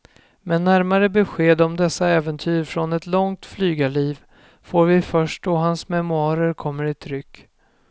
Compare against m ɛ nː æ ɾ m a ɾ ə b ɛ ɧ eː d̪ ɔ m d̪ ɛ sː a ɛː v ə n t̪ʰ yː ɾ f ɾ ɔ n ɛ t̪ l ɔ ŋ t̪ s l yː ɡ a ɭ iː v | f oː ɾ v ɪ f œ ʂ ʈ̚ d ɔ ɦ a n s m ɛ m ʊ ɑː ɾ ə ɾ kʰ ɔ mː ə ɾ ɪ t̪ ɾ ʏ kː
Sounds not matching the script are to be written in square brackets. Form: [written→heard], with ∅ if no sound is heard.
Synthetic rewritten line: m ɛ nː æ ɾ m a ɾ ə b ɛ ɧ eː d̪ ɔ m d̪ ɛ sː a ɛː v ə n t̪ʰ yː ɾ f ɾ ɔ n ɛ t̪ l ɔ ŋ t̪ [s→f] l yː ɡ a ɭ iː v | f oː ɾ v ɪ f œ ʂ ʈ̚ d ɔ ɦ a n s m ɛ m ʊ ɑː ɾ ə ɾ kʰ ɔ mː ə ɾ ɪ [t̪→t̪ʰ] ɾ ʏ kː

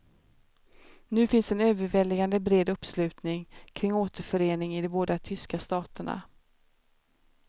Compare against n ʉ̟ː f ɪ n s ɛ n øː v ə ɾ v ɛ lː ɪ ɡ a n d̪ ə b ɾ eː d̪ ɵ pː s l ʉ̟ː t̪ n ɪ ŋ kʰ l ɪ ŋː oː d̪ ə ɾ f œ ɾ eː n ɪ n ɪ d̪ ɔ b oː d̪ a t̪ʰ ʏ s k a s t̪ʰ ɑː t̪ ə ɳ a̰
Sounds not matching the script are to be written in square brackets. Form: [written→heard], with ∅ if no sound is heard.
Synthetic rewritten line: n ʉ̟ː f ɪ n s ɛ n øː v ə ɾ v ɛ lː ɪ ɡ a n d̪ ə b ɾ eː d̪ ɵ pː s l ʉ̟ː t̪ n ɪ ŋ kʰ [l→ɾ] ɪ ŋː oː [d̪→t̪] ə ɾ f œ ɾ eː n ɪ [n→ŋ] ɪ d̪ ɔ b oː d̪ a t̪ʰ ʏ s k a s [t̪ʰ→t̪] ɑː t̪ ə ɳ a̰

